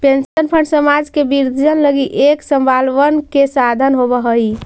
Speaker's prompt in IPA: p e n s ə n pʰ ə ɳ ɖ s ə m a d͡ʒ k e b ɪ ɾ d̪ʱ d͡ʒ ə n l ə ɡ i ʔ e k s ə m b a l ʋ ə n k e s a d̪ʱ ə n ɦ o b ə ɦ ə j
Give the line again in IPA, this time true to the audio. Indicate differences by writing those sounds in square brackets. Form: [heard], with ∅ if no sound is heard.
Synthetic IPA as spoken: p e n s ə n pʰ ə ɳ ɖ s ə m a d͡ʒ k e b [i] ɾ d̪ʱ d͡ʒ ə n l ə ɡ i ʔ e k s ə m b a l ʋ ə n k e s a d̪ʱ ə n ɦ o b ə ɦ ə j